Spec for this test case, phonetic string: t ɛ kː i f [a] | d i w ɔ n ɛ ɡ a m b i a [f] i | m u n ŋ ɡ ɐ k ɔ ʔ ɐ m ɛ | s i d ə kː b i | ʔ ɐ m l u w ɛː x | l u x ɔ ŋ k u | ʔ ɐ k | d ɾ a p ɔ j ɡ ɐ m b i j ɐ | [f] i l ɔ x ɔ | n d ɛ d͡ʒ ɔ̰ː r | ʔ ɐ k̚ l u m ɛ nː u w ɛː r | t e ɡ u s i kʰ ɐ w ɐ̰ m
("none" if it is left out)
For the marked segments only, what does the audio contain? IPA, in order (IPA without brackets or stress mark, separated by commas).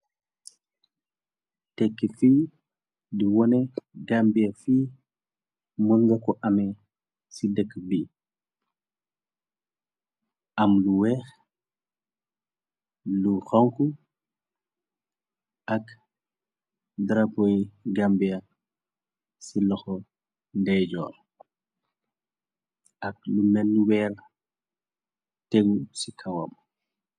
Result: i, f, s